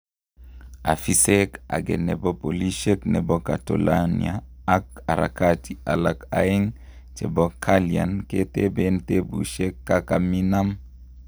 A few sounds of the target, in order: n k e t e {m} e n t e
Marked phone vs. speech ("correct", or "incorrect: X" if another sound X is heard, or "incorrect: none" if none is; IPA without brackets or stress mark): incorrect: b